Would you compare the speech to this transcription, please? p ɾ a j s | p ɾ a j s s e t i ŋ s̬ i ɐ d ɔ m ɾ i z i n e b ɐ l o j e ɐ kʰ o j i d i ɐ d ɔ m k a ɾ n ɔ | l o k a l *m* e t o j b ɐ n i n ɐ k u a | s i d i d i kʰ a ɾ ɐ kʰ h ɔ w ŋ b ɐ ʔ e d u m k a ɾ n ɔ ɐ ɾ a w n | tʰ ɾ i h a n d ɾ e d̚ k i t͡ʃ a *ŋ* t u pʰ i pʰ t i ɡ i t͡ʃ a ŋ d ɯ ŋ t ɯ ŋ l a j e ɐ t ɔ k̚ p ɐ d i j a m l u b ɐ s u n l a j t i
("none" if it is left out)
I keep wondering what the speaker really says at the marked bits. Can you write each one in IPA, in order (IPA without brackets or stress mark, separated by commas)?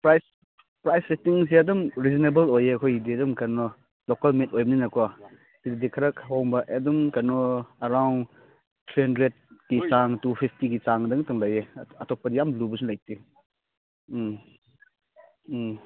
m, ŋ